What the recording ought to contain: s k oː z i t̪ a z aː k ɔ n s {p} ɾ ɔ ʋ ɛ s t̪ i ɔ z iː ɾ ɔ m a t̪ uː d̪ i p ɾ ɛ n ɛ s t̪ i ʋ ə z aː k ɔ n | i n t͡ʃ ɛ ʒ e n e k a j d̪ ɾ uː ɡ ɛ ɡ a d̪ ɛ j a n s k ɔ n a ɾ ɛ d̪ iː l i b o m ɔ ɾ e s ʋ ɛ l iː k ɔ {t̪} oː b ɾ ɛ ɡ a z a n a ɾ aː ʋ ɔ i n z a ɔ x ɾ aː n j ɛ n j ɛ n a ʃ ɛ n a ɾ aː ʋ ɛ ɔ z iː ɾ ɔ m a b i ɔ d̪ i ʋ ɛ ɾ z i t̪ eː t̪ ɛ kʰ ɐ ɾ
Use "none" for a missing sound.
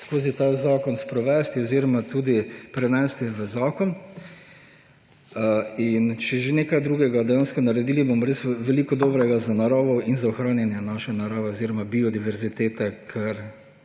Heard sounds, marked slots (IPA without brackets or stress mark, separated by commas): p, d̪